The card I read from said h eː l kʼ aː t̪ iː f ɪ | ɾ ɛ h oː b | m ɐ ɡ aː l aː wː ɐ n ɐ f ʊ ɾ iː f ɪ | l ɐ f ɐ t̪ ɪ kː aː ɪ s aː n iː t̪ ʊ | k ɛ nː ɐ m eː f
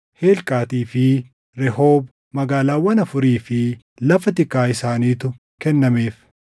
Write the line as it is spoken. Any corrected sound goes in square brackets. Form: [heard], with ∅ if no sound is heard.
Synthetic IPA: h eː l kʼ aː t̪ iː f ɪ | ɾ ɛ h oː b | m ɐ ɡ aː l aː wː ɐ n ɐ f ʊ ɾ iː f ɪ | l ɐ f ɐ t̪ ɪ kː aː ɪ s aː n iː t̪ ʊ | k ɛ nː ɐ m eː f